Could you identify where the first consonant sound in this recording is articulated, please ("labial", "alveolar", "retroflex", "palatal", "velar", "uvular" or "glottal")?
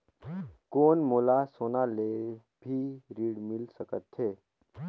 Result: velar